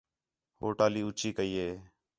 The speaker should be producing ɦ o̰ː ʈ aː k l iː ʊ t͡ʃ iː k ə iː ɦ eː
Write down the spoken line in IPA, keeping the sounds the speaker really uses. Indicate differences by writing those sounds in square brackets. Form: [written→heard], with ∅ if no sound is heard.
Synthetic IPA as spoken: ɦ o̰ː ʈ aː [k→∅] l iː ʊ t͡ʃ iː k ə iː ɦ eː